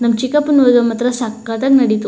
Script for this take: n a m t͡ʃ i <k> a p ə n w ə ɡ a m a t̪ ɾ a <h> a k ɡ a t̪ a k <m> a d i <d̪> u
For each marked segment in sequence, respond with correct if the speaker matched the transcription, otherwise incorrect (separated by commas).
correct, incorrect, incorrect, incorrect